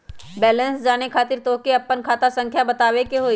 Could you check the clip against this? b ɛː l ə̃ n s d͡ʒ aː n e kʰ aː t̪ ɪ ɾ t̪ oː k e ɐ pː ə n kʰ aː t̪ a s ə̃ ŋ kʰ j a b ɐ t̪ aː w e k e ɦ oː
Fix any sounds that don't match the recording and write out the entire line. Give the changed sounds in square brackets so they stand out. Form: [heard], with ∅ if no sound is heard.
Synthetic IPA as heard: b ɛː l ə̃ n s d͡ʒ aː n e kʰ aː t̪ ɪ ɾ t̪ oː k e ɐ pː ə n kʰ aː t̪ a s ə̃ ŋ kʰ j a b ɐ t̪ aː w e k e ɦ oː